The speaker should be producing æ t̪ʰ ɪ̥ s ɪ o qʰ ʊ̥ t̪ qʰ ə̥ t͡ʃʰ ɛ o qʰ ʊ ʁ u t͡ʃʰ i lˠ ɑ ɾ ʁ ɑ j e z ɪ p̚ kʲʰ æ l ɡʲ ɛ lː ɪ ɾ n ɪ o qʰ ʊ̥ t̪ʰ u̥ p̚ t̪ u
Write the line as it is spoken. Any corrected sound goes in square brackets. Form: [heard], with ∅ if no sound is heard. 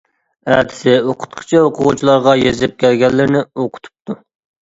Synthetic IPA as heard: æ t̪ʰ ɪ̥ s ɪ o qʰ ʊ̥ t̪ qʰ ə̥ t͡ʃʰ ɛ o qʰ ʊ ʁ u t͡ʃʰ i lˠ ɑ ɾ ʁ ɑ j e z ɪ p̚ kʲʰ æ l ɡʲ ɛ lː ɪ ɾ n ɪ o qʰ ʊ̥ t̪ʰ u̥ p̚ t̪ u